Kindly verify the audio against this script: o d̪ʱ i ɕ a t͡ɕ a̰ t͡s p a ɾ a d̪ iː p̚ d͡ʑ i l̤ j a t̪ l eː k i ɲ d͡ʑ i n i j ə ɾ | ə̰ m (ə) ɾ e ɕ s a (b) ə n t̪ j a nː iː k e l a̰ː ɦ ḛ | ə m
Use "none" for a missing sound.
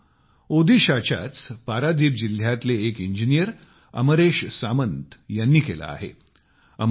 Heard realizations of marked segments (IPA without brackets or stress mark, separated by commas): ə, m